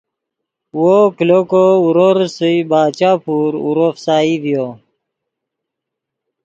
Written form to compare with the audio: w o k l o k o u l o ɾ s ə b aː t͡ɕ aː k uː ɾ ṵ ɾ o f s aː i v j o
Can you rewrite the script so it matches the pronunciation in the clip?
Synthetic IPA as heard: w o k l o k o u ɾ o ɾ s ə b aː t͡ɕ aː p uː ɾ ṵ ɾ o f s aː i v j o